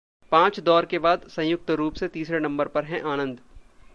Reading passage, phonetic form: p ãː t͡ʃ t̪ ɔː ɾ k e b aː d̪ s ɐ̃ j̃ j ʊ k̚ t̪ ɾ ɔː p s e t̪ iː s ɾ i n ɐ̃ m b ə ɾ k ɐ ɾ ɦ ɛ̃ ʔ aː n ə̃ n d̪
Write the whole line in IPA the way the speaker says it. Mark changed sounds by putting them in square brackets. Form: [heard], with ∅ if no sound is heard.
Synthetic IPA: p ãː t͡ʃ [d̪] ɔː ɾ k e b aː d̪ s ɐ̃ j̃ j ʊ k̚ t̪ ɾ [uː] p s e t̪ iː s ɾ [e] n ɐ̃ m b ə ɾ [p] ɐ ɾ ɦ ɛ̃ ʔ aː n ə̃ n d̪

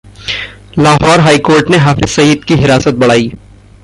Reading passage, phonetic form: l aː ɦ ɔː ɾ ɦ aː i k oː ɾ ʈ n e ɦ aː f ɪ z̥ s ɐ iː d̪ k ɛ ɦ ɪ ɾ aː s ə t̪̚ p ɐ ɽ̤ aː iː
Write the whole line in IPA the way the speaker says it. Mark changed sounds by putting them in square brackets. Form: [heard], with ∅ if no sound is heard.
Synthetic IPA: l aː ɦ ɔː ɾ ɦ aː i k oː ɾ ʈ n e ɦ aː f ɪ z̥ s ɐ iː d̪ k [i] ɦ ɪ ɾ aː s ə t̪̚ [b] ɐ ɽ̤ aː iː

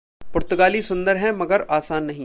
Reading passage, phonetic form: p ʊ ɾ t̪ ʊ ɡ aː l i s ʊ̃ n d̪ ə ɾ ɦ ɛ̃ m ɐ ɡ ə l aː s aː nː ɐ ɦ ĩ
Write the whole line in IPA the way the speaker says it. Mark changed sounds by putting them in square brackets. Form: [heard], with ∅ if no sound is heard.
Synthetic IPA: p ʊ ɾ t̪ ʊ ɡ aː l i s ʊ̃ n d̪ ə ɾ ɦ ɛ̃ m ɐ ɡ ə [ɾ] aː s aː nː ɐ ɦ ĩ

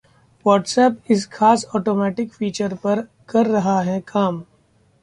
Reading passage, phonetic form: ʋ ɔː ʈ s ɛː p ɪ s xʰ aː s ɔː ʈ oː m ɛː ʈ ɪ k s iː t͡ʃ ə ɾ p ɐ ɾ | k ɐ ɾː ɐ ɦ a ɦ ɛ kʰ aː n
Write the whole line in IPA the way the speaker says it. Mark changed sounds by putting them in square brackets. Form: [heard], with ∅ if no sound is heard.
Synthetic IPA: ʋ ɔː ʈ s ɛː p ɪ s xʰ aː s ɔː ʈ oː m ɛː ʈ ɪ k [f] iː t͡ʃ ə ɾ p ɐ ɾ | k ɐ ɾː ɐ ɦ a ɦ ɛ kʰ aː [m]

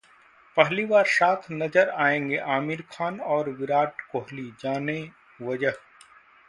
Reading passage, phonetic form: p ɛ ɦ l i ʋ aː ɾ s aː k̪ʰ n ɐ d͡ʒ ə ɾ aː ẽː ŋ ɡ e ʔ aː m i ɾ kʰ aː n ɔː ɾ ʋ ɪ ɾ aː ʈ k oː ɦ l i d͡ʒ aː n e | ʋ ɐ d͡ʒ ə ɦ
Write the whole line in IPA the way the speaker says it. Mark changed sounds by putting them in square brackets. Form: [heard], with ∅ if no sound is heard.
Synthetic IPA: p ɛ ɦ l i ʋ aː ɾ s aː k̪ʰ n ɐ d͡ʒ ə ɾ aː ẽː ŋ ɡ e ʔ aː m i ɾ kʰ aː n ɔː ɾ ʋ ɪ ɾ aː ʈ k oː ɦ l i d͡ʒ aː n e | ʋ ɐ d͡ʒ ə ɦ

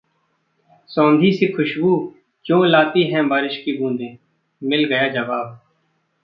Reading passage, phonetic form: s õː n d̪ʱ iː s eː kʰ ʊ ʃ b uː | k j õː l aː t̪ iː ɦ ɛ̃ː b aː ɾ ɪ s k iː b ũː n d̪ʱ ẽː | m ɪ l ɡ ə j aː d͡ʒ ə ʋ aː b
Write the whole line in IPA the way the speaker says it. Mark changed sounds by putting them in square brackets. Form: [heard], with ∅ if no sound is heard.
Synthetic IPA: s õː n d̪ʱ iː s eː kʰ ʊ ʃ b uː | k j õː l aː t̪ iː ɦ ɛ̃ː b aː ɾ ɪ [ʃ] k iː b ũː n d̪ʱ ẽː | m ɪ l ɡ ə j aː d͡ʒ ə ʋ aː b

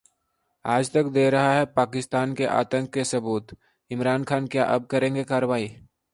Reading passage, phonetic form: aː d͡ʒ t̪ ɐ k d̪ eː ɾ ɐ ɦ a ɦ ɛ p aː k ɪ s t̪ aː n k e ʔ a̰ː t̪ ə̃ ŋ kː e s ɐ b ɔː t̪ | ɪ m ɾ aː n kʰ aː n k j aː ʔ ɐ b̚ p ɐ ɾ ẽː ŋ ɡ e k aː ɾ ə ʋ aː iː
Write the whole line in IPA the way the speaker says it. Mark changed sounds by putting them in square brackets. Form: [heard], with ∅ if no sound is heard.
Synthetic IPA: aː d͡ʒ t̪ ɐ k d̪ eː ɾ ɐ ɦ a ɦ ɛ p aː k ɪ s t̪ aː n k e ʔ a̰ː t̪ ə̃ ŋ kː e s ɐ b [uː] t̪ | ɪ m ɾ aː n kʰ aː n k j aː ʔ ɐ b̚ [k] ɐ ɾ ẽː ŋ ɡ e k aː ɾ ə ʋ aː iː

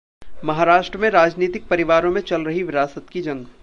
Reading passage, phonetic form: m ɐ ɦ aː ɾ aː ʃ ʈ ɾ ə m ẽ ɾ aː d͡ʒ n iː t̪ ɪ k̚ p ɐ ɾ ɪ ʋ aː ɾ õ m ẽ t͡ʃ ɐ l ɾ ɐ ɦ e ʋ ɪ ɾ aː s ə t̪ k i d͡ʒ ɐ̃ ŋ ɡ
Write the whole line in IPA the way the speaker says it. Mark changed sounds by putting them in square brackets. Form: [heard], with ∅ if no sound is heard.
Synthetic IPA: m ɐ ɦ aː ɾ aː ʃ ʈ ɾ ə m ẽ ɾ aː d͡ʒ n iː t̪ ɪ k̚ p ɐ ɾ ɪ ʋ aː ɾ õ m ẽ t͡ʃ ɐ l ɾ ɐ ɦ [i] ʋ ɪ ɾ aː s ə t̪ k i d͡ʒ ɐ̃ ŋ ɡ

